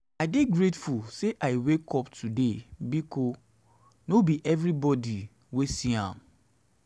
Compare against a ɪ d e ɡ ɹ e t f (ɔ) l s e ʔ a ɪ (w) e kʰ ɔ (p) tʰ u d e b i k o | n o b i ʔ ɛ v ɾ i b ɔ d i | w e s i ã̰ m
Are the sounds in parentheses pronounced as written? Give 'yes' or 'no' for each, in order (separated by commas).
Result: no, yes, yes